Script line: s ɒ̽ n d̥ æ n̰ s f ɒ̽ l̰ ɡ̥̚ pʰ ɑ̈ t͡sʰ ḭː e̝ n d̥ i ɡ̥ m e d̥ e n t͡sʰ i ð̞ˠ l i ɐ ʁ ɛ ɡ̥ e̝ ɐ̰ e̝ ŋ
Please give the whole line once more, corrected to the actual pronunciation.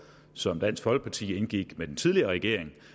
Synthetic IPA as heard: s ɒ̽ m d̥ æ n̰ s f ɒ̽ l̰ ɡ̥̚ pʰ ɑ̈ t͡sʰ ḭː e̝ n ɡ̥ i ɡ̥ m e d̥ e n t͡sʰ i ð̞ˠ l i ɐ ʁ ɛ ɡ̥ e̝ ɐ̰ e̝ ŋ